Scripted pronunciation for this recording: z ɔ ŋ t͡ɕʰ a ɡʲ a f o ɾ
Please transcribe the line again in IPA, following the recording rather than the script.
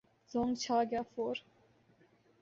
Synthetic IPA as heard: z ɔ ŋ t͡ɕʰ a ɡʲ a f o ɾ